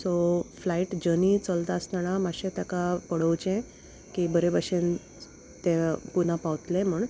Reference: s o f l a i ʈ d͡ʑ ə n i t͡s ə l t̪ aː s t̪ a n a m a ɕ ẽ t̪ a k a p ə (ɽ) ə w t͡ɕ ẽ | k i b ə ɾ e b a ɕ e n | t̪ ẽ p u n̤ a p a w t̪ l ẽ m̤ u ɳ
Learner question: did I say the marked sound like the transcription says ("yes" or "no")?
yes